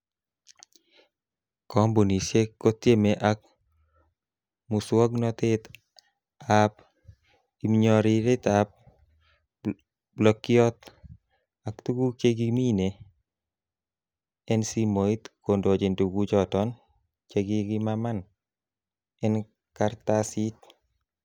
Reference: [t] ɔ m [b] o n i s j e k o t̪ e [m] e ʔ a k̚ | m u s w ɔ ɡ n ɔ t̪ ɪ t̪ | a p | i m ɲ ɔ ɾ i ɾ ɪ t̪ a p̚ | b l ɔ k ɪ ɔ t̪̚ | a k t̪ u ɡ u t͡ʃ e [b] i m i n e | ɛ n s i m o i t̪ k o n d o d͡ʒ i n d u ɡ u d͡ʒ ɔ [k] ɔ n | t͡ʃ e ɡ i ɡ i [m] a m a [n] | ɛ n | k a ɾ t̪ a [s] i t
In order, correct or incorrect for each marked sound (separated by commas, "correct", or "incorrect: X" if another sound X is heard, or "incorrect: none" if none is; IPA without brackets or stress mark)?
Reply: incorrect: k, correct, correct, incorrect: ɡ, incorrect: t, correct, correct, correct